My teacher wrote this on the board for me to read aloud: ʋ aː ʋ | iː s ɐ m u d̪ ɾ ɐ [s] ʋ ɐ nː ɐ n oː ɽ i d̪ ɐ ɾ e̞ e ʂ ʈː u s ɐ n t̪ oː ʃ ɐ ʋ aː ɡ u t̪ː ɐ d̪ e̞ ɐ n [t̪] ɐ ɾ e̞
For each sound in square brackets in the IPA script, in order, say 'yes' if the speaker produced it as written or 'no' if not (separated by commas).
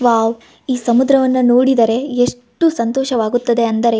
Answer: no, no